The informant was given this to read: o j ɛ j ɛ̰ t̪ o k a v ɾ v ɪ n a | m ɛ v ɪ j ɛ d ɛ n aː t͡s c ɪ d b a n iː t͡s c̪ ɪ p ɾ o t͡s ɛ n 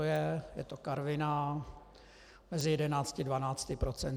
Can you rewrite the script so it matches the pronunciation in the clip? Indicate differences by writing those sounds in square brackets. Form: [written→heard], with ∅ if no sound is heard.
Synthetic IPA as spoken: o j ɛ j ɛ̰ t̪ o k a [v→∅] ɾ v ɪ n a | m ɛ [v→z] ɪ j ɛ d ɛ n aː t͡s c ɪ d [b→v] a n [iː→aː] t͡s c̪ ɪ p ɾ o t͡s ɛ n